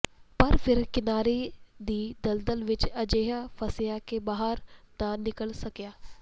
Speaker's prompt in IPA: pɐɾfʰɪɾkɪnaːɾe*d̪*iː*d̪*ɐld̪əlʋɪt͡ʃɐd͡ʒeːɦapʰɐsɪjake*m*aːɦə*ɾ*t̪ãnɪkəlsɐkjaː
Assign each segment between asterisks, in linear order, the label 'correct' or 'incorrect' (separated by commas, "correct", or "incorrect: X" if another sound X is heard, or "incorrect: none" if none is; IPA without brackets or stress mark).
correct, correct, incorrect: b, correct